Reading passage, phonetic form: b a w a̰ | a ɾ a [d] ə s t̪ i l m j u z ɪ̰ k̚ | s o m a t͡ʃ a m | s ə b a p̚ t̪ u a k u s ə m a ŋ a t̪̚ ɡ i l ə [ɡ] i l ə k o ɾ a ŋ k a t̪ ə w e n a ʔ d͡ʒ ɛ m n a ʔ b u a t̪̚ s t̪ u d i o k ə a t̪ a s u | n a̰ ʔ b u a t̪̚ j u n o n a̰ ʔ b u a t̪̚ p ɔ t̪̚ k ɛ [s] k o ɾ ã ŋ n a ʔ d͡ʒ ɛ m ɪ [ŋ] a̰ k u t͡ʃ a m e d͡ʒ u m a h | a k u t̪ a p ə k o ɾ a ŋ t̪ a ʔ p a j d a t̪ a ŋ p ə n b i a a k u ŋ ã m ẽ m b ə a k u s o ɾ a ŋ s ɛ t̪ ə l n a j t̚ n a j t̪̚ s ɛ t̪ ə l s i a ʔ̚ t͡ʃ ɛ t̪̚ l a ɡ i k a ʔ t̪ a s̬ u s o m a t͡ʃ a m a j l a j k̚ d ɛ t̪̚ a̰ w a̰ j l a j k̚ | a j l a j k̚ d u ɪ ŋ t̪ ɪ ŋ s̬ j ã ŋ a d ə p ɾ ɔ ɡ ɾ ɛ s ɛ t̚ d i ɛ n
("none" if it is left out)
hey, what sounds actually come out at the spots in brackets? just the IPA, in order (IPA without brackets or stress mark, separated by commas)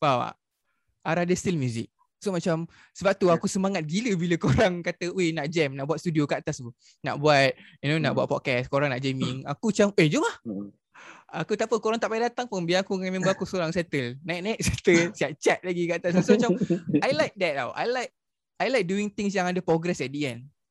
d, b, s, ŋ